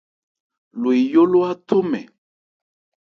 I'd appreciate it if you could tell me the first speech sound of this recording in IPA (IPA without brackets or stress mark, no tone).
l